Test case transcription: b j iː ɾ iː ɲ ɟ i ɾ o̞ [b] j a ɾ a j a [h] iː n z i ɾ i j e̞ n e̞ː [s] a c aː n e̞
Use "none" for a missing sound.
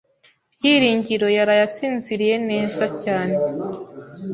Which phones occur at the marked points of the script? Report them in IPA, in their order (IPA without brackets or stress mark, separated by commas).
none, s, z